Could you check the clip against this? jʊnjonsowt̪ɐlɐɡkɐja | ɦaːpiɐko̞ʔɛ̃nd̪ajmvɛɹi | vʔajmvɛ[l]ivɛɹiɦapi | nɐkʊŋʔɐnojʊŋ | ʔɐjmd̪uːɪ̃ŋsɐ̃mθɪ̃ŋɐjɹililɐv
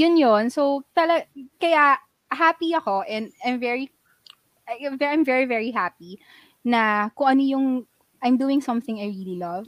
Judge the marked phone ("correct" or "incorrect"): incorrect